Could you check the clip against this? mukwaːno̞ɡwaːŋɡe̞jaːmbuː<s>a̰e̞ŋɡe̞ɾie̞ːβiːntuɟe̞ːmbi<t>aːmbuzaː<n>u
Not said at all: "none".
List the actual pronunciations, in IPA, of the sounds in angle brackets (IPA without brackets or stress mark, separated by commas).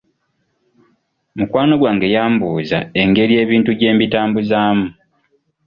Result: z, t, m